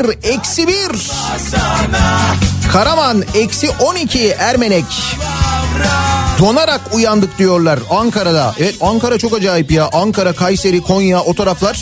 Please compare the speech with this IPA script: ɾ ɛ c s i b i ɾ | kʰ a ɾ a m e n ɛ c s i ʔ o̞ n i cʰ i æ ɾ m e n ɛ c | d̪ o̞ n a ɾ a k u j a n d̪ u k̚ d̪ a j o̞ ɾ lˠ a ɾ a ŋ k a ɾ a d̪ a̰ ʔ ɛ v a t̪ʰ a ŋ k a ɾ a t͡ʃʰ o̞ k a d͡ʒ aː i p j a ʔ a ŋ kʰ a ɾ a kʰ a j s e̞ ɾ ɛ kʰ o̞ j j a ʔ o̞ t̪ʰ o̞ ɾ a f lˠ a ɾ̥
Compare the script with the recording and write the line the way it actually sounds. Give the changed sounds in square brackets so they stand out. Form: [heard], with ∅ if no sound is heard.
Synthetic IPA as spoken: ɾ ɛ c s i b i ɾ | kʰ a ɾ a m [a] n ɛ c s i ʔ o̞ n i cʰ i æ ɾ m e n ɛ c | d̪ o̞ n a ɾ a k u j a n d̪ [ɯ] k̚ d̪ [i] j o̞ ɾ lˠ a ɾ a ŋ k a ɾ a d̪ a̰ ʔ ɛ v [ɛ] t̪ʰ a ŋ k a ɾ a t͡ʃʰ o̞ k a d͡ʒ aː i p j a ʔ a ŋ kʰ a ɾ a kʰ a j s e̞ ɾ [i] kʰ o̞ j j a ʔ o̞ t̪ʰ o̞ ɾ a f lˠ a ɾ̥